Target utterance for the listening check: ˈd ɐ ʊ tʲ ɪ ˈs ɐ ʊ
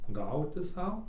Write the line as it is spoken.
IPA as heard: ˈɡ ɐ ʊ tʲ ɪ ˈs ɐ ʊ